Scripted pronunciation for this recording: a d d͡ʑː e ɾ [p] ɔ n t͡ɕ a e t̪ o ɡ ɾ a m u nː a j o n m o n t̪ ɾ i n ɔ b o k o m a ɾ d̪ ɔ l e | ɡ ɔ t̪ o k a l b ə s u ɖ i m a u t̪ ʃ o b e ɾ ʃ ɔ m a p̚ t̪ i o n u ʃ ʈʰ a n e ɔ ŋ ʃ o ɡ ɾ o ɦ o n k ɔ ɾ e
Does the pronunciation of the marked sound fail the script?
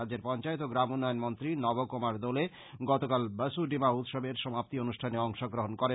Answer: no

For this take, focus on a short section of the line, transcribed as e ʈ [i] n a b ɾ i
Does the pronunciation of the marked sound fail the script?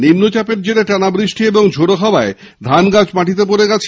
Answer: yes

